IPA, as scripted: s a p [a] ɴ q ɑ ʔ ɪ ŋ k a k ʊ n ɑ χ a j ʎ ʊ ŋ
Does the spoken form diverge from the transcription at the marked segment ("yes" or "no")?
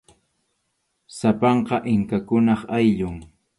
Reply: yes